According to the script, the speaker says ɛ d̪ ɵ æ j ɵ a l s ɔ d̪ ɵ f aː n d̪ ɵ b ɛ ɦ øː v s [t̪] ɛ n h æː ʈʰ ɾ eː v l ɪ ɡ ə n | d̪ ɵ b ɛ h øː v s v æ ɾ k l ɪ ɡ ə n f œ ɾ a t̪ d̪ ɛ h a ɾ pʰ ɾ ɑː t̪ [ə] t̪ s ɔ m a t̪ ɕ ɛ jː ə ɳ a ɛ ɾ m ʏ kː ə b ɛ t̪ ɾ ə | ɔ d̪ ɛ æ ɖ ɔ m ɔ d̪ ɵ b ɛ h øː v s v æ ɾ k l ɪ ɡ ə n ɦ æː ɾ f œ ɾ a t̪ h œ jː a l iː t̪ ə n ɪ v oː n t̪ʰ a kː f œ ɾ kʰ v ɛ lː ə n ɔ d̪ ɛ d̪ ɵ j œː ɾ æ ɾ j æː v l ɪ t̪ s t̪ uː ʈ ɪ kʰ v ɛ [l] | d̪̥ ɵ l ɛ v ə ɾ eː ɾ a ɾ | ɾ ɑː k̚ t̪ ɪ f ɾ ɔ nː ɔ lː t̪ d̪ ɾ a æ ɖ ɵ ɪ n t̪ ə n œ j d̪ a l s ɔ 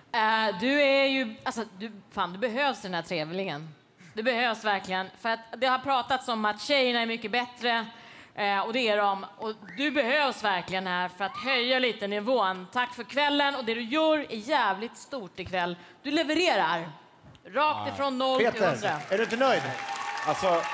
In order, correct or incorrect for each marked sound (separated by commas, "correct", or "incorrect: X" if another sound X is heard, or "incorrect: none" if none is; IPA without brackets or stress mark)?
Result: incorrect: d̪, incorrect: a, incorrect: lː